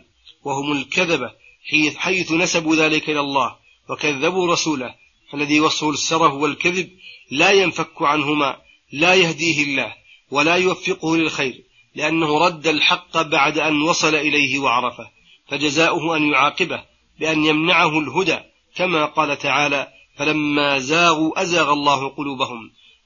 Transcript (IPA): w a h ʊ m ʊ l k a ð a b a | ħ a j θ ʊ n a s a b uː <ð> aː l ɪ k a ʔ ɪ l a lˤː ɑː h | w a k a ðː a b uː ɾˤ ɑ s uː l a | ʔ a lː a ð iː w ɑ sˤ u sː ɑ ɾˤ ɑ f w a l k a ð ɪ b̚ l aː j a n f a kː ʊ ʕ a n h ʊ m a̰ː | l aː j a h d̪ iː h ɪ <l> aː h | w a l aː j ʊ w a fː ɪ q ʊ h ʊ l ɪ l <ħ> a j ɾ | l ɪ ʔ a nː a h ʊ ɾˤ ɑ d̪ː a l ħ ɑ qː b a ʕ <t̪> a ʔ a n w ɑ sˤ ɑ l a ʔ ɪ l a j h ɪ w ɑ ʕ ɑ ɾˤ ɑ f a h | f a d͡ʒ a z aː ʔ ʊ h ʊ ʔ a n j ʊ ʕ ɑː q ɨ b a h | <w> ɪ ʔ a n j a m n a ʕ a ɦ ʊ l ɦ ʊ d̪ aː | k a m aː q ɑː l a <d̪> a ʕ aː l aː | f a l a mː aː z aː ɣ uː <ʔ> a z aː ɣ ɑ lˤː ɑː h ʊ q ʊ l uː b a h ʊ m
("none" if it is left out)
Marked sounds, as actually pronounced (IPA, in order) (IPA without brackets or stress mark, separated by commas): ð, lː, x, d̪, b, t̪, ʔ